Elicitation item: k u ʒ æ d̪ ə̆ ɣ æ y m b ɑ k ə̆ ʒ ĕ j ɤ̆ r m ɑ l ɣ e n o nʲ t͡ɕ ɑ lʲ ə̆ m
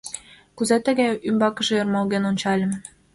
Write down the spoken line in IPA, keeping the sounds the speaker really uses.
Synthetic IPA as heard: k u z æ t̪ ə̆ ɣ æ y m b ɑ k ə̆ ʒ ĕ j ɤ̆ r m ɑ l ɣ e n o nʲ t͡ɕ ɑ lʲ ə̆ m